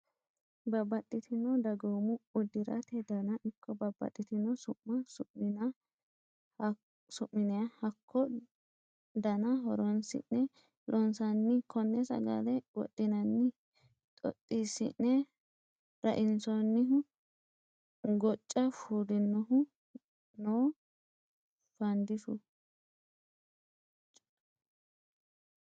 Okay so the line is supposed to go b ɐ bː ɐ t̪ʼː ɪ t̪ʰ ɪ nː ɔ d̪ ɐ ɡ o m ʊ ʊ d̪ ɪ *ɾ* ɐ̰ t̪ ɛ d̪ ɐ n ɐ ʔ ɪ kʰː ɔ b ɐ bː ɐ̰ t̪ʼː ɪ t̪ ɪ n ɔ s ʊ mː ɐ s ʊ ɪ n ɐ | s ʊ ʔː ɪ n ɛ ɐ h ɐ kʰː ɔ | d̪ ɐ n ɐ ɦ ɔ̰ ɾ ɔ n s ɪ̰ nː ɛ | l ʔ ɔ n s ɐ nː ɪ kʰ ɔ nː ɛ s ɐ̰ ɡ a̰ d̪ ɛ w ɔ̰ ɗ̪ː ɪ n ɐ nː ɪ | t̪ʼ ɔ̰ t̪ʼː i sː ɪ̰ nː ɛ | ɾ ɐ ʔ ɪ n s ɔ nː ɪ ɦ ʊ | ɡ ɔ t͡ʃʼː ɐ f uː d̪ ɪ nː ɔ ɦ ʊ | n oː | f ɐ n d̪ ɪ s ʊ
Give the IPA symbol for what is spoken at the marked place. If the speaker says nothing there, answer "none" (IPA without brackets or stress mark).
ɾ